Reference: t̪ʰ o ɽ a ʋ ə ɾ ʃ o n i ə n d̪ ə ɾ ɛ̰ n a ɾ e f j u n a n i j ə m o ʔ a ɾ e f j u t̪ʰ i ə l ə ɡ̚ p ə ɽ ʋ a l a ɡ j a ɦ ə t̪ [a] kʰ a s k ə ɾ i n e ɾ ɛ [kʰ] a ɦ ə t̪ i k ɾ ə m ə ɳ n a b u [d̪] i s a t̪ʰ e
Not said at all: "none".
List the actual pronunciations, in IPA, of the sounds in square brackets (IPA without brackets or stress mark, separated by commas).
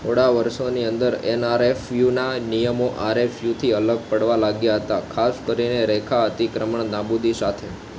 a, kʰ, d̪